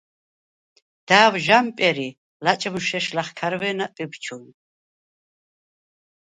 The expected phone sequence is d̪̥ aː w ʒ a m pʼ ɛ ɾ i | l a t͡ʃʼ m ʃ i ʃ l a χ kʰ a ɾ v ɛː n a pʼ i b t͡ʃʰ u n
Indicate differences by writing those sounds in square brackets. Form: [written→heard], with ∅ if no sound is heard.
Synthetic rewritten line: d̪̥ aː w ʒ a m pʼ ɛ ɾ i | l a t͡ʃʼ m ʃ [i→ɛ] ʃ l a χ kʰ a ɾ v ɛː n a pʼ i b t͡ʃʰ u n